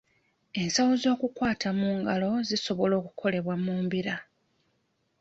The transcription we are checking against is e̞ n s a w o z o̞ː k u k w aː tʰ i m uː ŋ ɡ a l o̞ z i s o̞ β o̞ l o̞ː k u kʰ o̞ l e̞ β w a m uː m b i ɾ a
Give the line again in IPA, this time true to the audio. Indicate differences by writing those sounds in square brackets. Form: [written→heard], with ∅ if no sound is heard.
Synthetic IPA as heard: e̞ n s a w o z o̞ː k u k w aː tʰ [i→a] m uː ŋ ɡ a l o̞ z i s o̞ β o̞ l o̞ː k u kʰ o̞ l e̞ β w a m uː m b i ɾ a